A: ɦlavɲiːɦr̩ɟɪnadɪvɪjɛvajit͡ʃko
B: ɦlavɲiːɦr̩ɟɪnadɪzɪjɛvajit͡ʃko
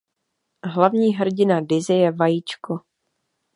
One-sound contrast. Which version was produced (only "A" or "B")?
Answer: B